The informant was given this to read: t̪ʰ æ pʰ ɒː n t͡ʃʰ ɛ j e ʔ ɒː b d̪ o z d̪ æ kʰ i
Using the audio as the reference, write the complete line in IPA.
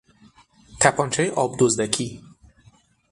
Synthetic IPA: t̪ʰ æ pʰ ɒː n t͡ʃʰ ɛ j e ʔ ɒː b d̪ o z d̪ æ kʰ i